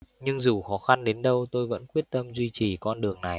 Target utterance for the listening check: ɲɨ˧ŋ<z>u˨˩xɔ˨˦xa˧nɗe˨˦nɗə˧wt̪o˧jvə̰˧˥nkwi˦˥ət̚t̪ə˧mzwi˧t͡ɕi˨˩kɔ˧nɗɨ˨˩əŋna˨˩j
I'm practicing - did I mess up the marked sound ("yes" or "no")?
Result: no